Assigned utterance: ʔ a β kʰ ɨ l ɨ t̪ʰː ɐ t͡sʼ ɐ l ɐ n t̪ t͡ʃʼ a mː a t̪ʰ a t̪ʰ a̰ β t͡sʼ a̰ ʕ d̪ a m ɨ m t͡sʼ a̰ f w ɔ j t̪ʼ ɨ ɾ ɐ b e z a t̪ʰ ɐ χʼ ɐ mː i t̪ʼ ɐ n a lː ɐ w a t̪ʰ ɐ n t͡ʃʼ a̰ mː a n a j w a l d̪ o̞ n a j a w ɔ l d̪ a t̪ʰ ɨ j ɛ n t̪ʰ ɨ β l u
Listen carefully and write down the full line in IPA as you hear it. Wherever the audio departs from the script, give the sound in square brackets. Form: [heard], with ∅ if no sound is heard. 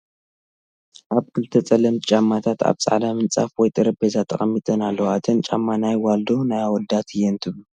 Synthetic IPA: ʔ a β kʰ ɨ l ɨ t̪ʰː ɐ t͡sʼ ɐ l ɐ [m] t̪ t͡ʃʼ a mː a t̪ʰ a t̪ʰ a̰ β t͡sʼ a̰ ʕ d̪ a m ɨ [n] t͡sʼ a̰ f w ɔ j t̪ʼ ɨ ɾ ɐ b e z a t̪ʰ ɐ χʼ ɐ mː i t̪ʼ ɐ n a lː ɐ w a t̪ʰ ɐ n t͡ʃʼ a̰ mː a n a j w a l d̪ o̞ n a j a w ɔ l d̪ a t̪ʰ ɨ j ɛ n t̪ʰ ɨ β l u